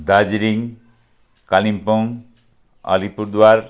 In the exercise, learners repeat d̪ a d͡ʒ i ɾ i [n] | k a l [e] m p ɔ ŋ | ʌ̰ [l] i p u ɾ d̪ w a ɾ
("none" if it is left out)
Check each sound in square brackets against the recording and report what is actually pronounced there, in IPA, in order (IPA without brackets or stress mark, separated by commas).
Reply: ŋ, i, l